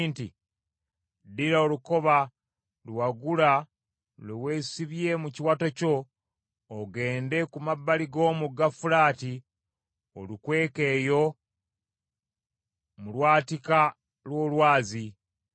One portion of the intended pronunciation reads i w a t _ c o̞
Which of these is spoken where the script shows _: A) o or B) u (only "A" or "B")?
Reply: A